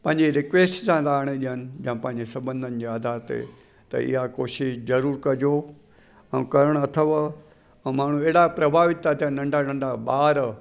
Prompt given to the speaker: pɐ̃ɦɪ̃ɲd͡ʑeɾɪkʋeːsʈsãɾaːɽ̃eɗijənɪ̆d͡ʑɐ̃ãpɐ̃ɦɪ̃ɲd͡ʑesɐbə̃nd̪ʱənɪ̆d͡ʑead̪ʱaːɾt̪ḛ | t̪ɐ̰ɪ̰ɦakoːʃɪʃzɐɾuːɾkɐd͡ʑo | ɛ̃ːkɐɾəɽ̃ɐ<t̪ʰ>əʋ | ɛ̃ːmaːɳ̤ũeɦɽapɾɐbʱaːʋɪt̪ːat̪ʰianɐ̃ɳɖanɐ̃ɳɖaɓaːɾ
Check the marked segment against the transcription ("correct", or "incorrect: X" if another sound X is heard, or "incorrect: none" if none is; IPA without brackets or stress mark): correct